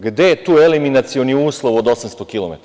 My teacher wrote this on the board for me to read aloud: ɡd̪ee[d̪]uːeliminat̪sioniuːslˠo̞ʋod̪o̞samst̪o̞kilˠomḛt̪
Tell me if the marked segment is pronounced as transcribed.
no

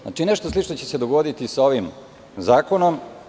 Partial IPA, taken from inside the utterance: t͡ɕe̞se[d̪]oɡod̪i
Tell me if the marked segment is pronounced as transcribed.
yes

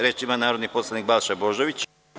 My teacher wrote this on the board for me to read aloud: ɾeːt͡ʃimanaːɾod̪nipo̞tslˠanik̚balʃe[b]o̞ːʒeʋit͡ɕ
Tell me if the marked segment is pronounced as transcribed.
yes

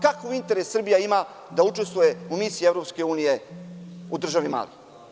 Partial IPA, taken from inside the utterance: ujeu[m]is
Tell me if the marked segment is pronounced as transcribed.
yes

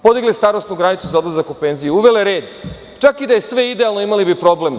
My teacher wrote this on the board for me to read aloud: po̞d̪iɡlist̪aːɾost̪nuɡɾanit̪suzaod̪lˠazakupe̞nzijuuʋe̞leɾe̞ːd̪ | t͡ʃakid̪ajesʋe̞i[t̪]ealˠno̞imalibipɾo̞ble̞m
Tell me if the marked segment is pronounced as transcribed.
no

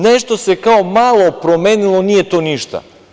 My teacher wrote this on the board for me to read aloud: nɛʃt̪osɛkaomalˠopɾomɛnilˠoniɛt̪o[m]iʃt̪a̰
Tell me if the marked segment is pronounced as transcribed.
no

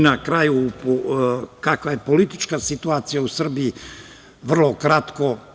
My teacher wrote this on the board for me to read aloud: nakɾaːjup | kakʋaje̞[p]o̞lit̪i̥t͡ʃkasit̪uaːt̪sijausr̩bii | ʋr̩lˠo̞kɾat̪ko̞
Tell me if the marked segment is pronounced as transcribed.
yes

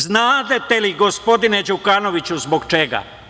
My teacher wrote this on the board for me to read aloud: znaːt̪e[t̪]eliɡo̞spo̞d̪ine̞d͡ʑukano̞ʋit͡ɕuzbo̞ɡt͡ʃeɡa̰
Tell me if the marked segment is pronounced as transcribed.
yes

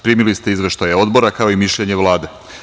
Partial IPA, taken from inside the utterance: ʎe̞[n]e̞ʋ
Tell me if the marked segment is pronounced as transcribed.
no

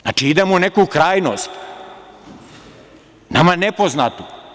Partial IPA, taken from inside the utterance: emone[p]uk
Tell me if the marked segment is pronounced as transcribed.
no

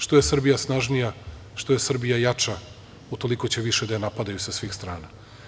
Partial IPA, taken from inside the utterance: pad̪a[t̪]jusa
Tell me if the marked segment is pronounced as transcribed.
no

